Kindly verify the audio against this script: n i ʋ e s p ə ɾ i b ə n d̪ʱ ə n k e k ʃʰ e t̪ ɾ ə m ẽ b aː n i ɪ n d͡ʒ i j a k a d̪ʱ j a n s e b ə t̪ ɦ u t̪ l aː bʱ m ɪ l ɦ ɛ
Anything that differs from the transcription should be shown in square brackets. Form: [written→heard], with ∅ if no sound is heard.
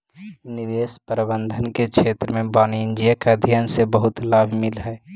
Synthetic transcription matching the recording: n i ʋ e s p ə ɾ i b ə n d̪ʱ ə n k e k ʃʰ e t̪ ɾ ə m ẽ b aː n i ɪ n d͡ʒ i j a k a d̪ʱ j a n s e b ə [t̪→∅] ɦ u t̪ l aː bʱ m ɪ l ɦ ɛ